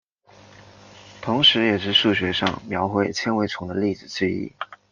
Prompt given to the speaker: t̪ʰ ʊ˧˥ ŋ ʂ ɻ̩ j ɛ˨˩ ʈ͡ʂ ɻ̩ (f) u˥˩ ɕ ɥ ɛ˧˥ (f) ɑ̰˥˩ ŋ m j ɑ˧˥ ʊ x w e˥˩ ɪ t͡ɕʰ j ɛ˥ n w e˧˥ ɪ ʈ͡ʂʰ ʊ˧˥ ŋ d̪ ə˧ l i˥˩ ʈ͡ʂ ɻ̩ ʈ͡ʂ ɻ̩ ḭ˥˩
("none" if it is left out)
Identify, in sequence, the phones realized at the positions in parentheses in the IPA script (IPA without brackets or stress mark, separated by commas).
ʂ, ʂ